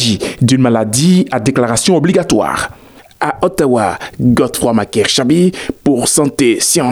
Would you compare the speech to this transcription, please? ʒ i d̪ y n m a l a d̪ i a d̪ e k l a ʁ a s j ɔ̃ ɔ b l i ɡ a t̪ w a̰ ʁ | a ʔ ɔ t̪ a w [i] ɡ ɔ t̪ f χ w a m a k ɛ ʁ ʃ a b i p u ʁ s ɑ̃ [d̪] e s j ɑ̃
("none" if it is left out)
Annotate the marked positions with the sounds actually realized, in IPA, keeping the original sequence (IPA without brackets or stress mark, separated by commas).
a, t̪